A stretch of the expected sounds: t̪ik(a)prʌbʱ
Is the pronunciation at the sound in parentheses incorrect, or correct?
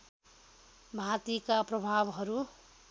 correct